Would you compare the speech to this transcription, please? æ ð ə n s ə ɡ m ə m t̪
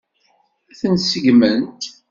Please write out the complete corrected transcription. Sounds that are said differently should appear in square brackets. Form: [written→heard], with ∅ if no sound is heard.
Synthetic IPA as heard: æ [ð→θ] ə n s ə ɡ m ə [m→n] t̪